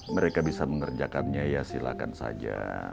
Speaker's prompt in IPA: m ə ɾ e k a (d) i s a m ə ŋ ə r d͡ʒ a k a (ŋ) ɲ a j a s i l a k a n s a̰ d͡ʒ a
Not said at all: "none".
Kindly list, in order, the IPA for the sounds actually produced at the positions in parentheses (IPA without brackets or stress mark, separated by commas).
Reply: b, n